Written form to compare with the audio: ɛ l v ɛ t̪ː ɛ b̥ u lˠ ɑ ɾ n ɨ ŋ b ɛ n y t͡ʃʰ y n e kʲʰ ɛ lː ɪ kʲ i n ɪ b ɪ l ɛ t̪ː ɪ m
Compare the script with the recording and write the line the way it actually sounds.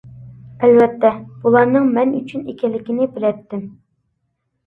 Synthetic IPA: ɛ l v ɛ t̪ː ɛ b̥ u lˠ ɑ ɾ n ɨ ŋ m ɛ n y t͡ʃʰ y n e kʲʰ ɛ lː ɪ kʲ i n ɪ b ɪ l ɛ t̪ː ɪ m